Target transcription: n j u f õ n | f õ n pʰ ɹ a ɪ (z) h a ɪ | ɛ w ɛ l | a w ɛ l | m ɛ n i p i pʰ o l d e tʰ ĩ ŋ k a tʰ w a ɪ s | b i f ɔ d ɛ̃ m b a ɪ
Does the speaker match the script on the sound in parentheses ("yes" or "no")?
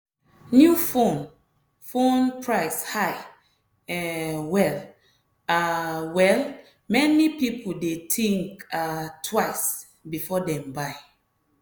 no